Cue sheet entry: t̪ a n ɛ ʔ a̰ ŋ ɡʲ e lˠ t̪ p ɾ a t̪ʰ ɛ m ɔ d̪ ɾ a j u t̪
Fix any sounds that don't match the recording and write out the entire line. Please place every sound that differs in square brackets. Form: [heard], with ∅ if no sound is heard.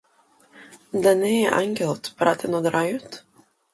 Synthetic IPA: [d̪] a n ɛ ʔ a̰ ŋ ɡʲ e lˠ t̪ p ɾ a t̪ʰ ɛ [n] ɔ d̪ ɾ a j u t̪